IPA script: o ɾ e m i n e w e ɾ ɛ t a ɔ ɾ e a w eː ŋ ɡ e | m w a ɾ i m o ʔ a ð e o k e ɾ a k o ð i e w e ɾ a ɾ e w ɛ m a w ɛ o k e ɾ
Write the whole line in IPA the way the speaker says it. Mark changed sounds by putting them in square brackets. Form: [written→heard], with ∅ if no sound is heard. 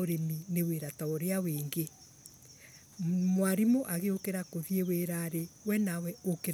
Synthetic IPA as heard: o ɾ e m i n e w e ɾ [ɛ→a] t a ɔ ɾ e a w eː ŋ ɡ e | m w a ɾ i m o ʔ a [ð→ɣ] e o k e ɾ a k o ð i e w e ɾ a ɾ e w ɛ [m→n] a w ɛ o k e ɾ